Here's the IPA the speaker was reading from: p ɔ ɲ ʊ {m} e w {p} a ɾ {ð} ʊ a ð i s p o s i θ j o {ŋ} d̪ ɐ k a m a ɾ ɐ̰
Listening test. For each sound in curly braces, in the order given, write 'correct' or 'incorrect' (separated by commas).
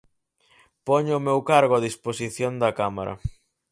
correct, incorrect, incorrect, incorrect